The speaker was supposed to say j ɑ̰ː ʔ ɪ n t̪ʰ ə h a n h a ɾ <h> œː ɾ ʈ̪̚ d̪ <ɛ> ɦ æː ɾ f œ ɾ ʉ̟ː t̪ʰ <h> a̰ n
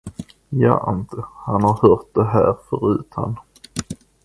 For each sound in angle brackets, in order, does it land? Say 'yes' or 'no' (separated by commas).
yes, yes, yes